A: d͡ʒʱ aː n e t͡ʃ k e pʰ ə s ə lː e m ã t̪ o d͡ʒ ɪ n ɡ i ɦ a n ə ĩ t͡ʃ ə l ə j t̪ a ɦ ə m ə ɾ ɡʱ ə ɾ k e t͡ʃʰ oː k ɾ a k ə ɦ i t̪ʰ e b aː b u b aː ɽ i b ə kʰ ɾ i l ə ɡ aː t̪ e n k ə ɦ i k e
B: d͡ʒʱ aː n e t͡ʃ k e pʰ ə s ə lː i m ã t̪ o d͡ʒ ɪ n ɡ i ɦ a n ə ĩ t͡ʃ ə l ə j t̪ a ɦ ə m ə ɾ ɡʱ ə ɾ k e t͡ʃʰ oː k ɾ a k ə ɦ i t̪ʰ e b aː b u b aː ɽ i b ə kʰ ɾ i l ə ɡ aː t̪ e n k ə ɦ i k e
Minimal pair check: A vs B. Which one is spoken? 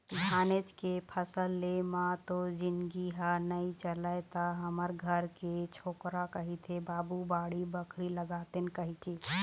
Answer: A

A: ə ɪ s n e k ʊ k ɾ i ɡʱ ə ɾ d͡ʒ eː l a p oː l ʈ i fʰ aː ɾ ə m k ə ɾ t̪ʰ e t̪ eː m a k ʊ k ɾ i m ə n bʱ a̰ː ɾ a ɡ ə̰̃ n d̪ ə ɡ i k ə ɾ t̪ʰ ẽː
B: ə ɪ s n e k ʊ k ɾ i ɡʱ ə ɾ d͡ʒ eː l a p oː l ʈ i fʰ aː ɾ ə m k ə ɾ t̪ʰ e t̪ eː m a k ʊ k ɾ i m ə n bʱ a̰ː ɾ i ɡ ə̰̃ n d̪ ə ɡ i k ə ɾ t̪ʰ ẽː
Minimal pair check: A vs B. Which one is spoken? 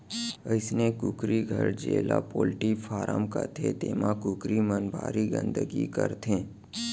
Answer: B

